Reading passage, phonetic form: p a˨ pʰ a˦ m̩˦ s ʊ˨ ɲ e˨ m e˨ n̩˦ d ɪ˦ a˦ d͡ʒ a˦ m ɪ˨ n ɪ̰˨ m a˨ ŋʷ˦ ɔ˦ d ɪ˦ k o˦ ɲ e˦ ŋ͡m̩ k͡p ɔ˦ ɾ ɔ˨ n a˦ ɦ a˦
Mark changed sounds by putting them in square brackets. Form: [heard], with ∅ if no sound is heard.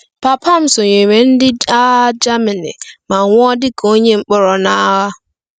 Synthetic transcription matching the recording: p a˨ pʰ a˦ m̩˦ s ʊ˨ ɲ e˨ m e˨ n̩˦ d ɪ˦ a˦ d͡ʒ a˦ m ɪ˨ n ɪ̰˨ m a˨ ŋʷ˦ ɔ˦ d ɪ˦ k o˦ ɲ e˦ ŋ͡m̩ k͡p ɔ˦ ɾ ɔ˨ n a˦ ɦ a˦

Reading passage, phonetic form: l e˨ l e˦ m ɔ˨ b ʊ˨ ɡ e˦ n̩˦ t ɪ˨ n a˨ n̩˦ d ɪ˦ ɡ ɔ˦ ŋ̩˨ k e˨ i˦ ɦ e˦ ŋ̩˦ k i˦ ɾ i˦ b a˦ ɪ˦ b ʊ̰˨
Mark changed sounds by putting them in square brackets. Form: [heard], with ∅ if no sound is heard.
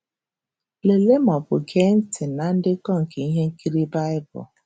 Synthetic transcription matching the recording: l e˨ l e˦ m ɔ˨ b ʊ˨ ɡ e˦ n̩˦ t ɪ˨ n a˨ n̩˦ d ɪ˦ [k] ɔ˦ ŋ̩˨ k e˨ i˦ ɦ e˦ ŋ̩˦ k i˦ ɾ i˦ b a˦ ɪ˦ b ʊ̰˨

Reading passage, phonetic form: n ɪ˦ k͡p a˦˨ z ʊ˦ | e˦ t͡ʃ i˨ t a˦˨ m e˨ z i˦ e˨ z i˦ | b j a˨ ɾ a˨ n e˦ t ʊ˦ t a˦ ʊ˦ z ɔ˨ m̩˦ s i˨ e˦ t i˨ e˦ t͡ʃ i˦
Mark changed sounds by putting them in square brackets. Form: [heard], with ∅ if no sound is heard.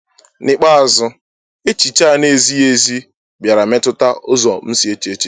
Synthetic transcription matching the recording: n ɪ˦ k͡p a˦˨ z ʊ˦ | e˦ t͡ʃ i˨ [t͡ʃ] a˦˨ [n] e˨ z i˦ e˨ z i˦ | b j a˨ ɾ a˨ [m] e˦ t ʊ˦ t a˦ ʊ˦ z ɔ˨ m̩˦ s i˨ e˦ [t͡ʃ] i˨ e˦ t͡ʃ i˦

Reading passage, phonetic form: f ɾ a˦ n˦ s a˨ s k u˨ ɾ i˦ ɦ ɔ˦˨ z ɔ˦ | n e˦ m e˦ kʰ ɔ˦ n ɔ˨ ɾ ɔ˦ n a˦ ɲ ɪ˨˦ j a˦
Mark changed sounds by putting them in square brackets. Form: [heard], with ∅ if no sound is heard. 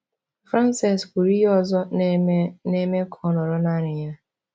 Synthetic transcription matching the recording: f ɾ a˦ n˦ s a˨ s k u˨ ɾ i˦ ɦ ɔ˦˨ z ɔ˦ | n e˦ m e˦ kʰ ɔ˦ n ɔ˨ ɾ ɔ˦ n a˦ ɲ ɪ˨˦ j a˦

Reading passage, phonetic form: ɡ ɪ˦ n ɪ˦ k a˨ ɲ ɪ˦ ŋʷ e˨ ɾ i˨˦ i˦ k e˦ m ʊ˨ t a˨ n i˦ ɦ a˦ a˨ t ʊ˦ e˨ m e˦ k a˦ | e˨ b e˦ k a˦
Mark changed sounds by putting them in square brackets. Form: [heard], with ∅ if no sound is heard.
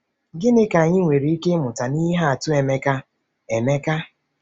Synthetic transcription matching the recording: ɡ ɪ˦ n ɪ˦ k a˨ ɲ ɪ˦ ŋʷ e˨ ɾ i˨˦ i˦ k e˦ m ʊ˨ t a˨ n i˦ ɦ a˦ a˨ t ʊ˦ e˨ m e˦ k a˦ | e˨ [m] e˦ k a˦

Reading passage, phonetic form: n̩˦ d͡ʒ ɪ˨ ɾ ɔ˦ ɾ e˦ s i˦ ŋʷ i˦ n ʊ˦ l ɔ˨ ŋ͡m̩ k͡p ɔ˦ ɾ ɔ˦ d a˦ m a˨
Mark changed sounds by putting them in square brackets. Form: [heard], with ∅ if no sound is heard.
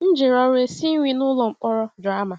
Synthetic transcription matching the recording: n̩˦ d͡ʒ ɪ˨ ɾ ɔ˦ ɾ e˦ s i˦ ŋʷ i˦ n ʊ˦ l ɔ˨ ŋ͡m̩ k͡p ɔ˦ ɾ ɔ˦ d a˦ m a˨

